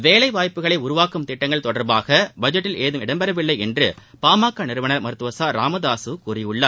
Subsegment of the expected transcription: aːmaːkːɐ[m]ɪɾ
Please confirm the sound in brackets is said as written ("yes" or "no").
no